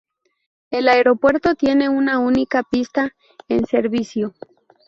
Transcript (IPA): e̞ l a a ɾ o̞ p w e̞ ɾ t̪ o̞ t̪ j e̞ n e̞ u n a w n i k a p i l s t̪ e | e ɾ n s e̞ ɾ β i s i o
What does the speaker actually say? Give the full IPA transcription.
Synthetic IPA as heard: e̞ l a e ɾ o̞ p w e̞ ɾ t̪ o̞ t̪ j e̞ n e̞ u n a u n i k a p i s t̪ a | e n s e̞ ɾ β i s j o